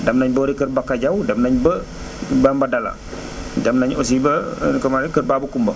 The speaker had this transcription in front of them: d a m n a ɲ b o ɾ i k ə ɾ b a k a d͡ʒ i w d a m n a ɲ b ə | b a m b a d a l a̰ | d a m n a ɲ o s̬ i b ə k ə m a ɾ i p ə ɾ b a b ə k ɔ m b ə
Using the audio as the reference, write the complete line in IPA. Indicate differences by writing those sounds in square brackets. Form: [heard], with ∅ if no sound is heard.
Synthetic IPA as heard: d a m n a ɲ b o ɾ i k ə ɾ b a k a d͡ʒ [a] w d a m n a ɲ b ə | b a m b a d a l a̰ | d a m n a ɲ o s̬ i b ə k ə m a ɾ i [k] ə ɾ b a b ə k [u] m b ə